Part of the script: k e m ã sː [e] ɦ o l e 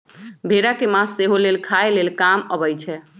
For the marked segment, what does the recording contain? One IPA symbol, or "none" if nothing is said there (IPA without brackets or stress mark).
e